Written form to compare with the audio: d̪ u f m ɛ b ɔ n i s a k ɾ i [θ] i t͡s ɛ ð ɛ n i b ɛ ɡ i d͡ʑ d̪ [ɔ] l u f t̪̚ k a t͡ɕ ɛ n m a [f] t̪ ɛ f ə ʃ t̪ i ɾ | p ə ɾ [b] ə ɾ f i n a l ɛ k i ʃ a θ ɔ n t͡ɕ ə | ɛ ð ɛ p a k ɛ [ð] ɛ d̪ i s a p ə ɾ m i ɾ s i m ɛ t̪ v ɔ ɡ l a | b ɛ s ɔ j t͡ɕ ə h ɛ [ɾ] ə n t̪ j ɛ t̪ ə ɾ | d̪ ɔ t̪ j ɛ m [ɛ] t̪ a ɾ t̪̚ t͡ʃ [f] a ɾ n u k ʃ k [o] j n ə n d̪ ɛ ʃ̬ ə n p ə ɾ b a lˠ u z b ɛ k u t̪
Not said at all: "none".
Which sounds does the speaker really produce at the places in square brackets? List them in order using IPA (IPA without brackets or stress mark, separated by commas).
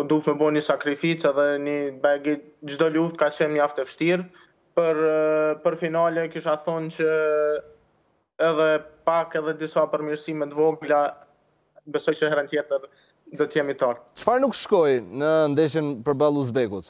f, ɔ, f, p, ð, ɾ, i, f, ɔ